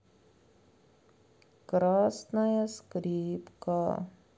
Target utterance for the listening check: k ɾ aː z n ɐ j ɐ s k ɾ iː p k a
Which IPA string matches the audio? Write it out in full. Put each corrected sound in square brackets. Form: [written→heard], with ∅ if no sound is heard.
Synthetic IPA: k ɾ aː [z→s] n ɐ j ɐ s k ɾ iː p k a

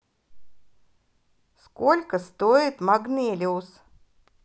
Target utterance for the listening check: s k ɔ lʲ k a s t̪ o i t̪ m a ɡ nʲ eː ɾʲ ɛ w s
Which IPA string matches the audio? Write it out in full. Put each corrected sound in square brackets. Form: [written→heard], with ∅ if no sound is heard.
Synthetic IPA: s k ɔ lʲ k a s t̪ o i t̪ m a ɡ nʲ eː [ɾʲ→lʲ] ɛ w s

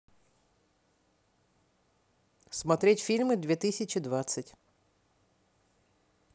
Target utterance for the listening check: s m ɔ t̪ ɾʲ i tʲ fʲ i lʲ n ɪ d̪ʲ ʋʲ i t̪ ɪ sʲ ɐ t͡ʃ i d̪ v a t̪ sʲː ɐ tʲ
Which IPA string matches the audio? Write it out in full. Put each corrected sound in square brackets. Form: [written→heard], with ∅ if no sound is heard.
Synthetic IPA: s m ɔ t̪ ɾʲ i tʲ fʲ i lʲ [n→m] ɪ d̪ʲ ʋʲ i t̪ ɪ sʲ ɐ t͡ʃ i d̪ [v→ʋ] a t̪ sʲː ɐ tʲ

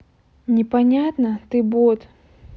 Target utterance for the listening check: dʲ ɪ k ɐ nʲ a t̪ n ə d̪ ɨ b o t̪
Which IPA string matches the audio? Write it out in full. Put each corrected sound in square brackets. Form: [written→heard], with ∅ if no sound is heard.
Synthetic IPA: [dʲ→nʲ] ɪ [k→p] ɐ nʲ a t̪ n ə [d̪→t̪] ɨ b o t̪

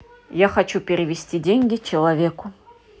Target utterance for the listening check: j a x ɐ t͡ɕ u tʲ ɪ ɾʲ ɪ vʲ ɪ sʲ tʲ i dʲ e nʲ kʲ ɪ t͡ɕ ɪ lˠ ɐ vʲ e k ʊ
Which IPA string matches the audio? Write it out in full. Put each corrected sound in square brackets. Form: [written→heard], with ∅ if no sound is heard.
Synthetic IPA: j a x ɐ t͡ɕ u [tʲ→pʲ] ɪ ɾʲ ɪ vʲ ɪ sʲ tʲ i dʲ e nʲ [kʲ→ɡʲ] ɪ t͡ɕ ɪ lˠ ɐ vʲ e k ʊ

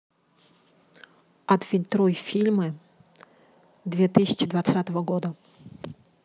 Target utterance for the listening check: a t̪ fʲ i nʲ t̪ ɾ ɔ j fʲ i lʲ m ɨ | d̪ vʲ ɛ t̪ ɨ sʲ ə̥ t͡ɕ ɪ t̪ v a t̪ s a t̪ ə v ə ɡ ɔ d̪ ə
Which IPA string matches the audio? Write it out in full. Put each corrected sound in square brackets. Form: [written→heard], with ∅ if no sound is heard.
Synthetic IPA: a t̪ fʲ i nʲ t̪ ɾ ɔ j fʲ i lʲ m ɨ | d̪ vʲ ɛ t̪ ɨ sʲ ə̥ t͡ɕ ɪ [t̪→d̪] v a t̪ s a t̪ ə v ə ɡ ɔ d̪ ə

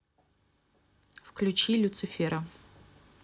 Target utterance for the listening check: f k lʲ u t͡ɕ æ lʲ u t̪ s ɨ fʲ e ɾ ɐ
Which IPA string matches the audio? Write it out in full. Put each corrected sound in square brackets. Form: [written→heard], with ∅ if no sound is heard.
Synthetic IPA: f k lʲ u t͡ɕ [æ→i] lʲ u t̪ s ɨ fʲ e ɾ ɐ

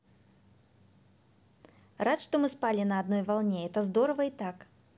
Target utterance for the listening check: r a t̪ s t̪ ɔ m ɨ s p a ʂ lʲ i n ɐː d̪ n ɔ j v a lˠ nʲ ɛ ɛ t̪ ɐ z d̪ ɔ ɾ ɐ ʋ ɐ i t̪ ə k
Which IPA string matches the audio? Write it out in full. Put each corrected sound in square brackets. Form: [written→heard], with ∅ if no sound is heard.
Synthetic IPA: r a t̪ [s→ʂ] t̪ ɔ m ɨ s p a [ʂ→∅] lʲ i n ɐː d̪ n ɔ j v a lˠ nʲ ɛ ɛ t̪ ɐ z d̪ ɔ ɾ ɐ [ʋ→v] ɐ i t̪ [ə→a] k

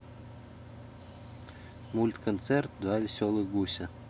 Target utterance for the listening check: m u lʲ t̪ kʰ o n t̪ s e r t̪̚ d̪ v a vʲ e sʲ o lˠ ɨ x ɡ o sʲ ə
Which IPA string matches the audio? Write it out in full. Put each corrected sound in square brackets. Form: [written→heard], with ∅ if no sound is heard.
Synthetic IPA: m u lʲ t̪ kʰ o n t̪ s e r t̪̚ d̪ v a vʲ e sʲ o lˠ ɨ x ɡ [o→u] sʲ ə

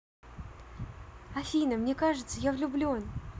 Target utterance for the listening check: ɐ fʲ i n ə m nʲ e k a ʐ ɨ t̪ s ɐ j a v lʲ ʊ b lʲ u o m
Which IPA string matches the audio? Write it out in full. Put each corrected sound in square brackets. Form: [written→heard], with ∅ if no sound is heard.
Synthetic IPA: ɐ fʲ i n ə m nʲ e k a ʐ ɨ t̪ s [ɐ→ə] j a v lʲ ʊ b lʲ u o [m→n]

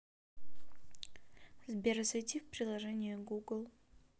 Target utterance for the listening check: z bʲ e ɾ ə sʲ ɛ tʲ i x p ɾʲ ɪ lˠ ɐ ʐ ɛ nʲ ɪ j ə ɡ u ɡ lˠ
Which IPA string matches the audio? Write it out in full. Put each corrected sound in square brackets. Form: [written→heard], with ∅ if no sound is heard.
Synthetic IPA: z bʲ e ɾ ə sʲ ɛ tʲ i [x→f] p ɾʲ ɪ lˠ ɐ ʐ ɛ nʲ ɪ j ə ɡ u ɡ lˠ

